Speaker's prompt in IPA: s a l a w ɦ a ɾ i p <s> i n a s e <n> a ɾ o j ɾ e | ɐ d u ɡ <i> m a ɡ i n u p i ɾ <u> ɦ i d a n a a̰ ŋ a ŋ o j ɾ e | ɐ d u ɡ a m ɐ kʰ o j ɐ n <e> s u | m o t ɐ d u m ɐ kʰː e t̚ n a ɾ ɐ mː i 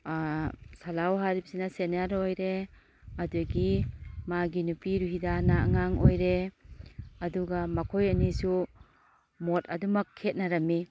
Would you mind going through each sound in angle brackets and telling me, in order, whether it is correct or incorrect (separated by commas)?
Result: correct, correct, correct, correct, incorrect